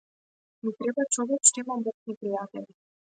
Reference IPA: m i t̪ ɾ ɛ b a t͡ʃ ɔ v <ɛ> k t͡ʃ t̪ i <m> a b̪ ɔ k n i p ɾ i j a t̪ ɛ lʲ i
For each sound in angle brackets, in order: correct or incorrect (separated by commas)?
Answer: correct, correct